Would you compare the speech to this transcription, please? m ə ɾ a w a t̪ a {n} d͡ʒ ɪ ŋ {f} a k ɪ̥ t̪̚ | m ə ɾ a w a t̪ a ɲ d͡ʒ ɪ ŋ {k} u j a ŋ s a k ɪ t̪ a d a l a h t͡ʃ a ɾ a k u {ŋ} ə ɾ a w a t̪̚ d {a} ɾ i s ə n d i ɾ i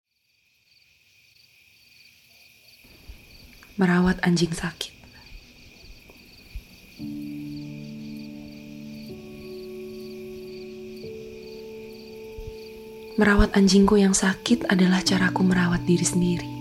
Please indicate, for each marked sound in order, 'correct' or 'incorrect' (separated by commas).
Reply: incorrect, incorrect, correct, incorrect, incorrect